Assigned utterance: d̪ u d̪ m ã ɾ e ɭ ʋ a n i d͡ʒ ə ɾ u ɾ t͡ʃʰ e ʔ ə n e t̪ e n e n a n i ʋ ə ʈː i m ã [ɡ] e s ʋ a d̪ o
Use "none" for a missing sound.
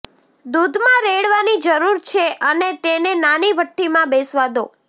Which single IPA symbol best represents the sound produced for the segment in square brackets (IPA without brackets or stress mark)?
b